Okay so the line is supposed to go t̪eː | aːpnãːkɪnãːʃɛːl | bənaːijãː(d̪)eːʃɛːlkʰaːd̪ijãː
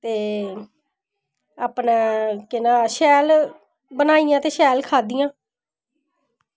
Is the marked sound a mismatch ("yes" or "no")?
yes